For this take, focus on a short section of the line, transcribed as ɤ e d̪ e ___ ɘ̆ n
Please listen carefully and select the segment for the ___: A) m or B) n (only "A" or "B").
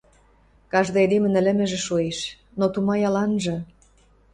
A